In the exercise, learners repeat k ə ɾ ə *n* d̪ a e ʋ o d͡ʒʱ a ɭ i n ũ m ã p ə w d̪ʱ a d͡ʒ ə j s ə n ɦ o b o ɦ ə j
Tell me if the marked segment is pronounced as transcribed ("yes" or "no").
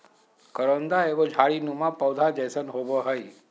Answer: yes